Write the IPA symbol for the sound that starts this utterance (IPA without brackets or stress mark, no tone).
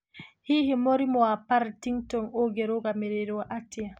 h